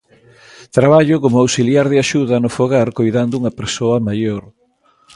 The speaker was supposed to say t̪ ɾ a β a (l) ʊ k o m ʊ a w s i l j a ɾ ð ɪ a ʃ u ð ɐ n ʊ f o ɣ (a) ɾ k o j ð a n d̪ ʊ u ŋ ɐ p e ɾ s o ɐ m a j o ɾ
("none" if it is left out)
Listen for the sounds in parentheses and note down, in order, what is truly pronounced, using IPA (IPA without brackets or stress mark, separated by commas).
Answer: ʎ, a